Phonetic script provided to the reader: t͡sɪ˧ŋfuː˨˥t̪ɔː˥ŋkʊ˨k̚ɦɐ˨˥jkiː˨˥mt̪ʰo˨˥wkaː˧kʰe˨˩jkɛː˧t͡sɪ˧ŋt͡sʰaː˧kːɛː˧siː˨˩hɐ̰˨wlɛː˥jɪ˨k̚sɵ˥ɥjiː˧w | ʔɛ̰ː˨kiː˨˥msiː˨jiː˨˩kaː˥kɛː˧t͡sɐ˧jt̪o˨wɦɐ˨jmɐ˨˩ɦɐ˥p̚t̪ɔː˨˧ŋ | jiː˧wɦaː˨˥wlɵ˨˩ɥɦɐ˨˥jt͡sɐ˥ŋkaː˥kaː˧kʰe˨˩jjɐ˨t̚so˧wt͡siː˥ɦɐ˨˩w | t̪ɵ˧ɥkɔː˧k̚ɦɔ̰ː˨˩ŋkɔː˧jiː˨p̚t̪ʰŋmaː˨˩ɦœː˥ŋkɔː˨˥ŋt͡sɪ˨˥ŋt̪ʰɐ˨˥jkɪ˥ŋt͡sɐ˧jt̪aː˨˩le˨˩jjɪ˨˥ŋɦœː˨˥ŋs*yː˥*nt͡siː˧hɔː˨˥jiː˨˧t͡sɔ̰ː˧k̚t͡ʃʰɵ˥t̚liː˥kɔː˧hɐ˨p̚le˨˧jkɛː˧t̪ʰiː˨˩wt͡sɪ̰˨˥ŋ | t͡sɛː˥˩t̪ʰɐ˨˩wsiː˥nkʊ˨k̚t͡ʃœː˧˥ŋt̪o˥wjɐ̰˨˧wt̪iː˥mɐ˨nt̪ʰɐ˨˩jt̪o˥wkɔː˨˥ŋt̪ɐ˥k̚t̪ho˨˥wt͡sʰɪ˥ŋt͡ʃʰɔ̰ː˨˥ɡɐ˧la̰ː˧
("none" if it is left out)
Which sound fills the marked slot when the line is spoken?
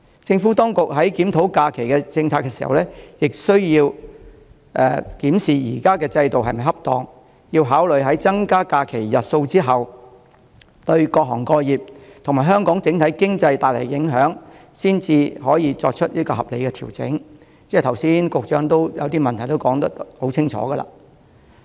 iː˥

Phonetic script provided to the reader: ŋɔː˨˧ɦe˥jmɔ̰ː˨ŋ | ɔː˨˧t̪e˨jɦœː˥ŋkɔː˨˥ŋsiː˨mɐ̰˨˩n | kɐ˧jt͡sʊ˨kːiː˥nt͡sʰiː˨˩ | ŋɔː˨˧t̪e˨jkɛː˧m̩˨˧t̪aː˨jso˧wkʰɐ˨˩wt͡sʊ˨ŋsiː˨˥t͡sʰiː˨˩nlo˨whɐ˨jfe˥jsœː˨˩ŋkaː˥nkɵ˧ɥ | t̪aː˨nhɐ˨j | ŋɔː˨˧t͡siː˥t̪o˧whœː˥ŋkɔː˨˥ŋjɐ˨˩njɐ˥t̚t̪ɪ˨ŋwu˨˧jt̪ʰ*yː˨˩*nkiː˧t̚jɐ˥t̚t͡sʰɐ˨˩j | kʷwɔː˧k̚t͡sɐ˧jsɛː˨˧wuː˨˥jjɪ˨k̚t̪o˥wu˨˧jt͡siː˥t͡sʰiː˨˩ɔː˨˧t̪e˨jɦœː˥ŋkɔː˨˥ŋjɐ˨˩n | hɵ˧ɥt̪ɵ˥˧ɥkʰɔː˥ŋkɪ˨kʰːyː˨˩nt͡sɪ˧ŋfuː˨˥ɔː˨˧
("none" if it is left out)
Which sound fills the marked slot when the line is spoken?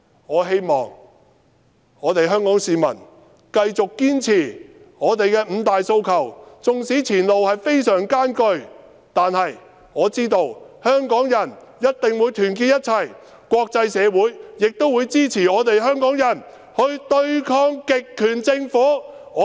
yː˨˩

